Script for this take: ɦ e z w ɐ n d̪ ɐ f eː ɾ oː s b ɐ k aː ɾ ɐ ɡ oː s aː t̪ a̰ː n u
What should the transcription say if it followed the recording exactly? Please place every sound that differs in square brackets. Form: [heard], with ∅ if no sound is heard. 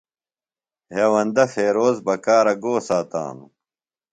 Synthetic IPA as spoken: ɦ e [∅] w ɐ n d̪ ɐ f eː ɾ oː [z] b ɐ k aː ɾ ɐ ɡ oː s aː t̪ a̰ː n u